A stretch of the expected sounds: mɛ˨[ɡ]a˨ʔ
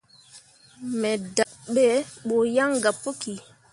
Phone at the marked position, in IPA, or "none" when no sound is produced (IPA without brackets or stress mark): d